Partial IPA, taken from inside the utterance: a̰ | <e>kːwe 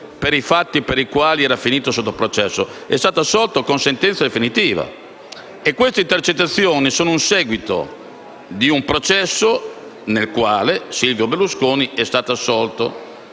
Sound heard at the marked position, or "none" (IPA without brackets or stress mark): e